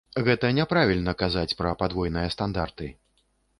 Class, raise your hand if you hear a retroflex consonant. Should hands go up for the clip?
no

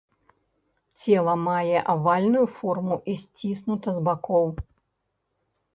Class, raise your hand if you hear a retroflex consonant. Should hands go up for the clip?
no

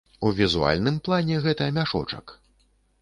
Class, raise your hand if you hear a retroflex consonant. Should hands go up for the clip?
yes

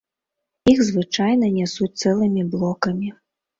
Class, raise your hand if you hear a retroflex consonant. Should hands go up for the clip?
yes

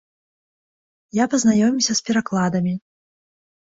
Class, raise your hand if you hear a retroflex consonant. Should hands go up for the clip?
no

